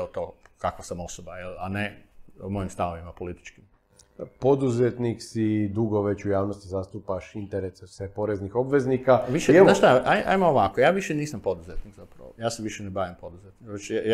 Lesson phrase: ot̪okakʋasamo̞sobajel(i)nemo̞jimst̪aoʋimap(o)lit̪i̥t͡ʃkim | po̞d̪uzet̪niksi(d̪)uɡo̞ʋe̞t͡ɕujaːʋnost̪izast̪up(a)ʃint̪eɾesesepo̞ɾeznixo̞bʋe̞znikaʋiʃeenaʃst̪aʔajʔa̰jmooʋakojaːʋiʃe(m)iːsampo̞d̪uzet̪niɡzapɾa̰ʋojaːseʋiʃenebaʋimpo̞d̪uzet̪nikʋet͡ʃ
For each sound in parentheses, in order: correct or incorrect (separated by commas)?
incorrect, correct, correct, correct, incorrect